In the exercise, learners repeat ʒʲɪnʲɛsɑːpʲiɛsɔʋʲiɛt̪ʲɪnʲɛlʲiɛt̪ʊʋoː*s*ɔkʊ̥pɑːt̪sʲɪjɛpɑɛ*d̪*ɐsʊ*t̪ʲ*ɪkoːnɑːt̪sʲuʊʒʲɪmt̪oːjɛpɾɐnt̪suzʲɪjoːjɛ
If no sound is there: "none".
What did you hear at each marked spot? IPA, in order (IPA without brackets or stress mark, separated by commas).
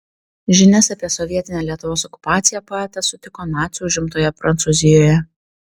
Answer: s, t̪, t̪ʲ